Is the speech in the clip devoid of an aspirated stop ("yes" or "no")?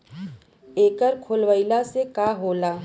no